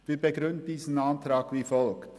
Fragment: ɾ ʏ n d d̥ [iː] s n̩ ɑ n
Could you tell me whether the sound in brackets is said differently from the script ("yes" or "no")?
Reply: no